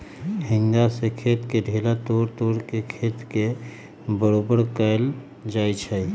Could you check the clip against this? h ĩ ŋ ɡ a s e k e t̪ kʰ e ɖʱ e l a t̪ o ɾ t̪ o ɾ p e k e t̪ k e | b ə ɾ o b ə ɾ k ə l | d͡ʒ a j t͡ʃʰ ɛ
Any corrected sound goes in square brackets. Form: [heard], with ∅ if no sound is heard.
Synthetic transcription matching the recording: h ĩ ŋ ɡ a s e [kʰ] e t̪ [k] e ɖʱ e l a t̪ o ɾ t̪ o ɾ [k] e [kʰ] e t̪ k e | b ə ɾ o b ə ɾ k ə l | d͡ʒ a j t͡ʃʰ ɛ